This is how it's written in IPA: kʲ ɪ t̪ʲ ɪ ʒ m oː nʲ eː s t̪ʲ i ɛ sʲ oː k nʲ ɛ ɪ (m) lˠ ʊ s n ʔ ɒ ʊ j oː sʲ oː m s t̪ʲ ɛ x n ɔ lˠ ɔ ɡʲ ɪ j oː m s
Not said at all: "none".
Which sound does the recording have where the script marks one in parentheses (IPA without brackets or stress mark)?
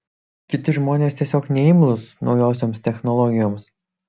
m